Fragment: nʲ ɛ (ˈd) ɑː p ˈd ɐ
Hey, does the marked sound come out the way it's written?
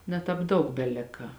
no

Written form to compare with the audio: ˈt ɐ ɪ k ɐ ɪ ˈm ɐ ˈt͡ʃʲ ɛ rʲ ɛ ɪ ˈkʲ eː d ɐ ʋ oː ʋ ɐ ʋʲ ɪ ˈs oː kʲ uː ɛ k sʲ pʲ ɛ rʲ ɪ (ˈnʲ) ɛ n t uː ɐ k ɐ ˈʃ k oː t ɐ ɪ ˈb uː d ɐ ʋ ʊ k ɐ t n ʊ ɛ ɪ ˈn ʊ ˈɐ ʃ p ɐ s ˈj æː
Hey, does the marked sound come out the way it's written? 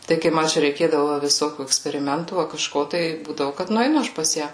no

